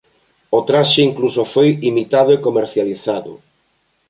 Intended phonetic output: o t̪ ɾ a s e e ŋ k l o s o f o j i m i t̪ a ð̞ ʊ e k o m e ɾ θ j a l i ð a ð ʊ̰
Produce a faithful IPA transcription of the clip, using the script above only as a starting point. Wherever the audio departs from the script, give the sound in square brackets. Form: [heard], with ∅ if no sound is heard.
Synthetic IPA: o t̪ ɾ a [ʃ] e [i] ŋ k l [u] s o f o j i m i t̪ a ð̞ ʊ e k o m e ɾ θ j a l i [θ] a ð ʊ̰